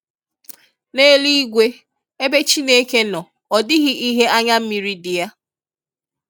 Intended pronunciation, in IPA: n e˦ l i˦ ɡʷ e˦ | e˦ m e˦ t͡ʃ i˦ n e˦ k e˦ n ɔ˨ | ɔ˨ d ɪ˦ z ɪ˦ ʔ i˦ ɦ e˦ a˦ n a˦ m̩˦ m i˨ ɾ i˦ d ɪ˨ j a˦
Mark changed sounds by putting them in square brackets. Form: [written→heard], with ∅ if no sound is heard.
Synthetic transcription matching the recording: n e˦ l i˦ ɡʷ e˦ | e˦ [m→b] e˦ t͡ʃ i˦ n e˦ k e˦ n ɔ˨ | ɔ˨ d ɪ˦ [z→ɣ] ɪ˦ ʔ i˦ ɦ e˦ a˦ [n→ɲ] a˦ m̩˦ m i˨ ɾ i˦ d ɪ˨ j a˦